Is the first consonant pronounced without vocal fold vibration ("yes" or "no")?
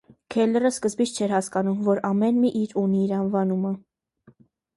yes